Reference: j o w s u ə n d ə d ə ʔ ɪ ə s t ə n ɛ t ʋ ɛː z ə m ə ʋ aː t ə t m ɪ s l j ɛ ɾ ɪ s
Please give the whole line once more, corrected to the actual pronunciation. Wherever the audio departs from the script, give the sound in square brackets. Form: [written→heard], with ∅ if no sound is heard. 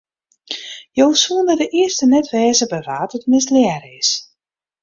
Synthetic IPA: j o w s u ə n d ə d ə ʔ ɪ ə s t ə n ɛ t ʋ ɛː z ə [m→b] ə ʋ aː t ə t m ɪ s l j ɛ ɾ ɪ s